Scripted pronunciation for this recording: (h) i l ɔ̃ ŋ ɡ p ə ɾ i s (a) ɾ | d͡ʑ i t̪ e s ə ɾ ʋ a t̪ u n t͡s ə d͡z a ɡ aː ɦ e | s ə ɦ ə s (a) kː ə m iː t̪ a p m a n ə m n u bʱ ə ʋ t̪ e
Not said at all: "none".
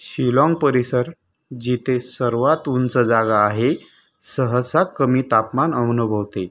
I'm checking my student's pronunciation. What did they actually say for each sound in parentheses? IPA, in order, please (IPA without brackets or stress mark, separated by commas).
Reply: ɕ, ə, a